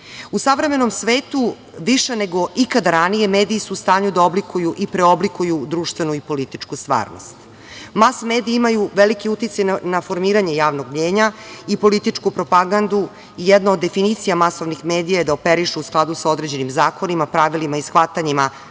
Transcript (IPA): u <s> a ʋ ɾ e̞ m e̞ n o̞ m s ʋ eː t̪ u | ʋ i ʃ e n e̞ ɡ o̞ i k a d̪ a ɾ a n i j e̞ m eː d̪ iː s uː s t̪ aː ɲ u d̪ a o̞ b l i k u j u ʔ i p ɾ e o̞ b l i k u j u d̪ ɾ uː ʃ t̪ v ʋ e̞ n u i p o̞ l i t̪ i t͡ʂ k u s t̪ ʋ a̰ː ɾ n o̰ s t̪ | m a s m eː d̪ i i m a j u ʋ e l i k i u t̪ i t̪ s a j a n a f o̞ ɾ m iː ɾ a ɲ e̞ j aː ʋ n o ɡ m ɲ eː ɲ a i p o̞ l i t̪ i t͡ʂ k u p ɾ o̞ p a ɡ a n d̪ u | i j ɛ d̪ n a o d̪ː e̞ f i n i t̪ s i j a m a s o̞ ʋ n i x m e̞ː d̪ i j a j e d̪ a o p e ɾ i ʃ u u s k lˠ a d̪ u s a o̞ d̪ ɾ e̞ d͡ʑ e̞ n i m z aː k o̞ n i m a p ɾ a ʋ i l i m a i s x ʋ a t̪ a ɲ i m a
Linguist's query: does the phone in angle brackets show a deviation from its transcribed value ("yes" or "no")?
no